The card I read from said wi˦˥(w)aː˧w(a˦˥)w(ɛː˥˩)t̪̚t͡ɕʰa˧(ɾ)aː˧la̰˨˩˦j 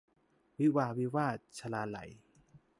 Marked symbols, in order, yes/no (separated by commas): yes, no, no, no